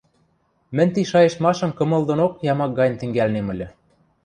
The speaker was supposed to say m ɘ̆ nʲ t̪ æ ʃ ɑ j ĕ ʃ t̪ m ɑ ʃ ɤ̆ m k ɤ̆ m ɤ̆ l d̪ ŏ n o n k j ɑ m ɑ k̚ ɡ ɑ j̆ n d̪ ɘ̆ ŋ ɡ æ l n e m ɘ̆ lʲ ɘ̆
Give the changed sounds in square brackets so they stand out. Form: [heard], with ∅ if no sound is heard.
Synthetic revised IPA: m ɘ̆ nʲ t̪ [i] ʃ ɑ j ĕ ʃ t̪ m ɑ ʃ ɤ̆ m k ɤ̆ m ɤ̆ l d̪ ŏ n o [∅] k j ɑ m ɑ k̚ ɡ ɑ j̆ n [t̪] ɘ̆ ŋ ɡ æ l n e m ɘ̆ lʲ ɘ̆